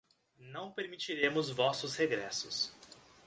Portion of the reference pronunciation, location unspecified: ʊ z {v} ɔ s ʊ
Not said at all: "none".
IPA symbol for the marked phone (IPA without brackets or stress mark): v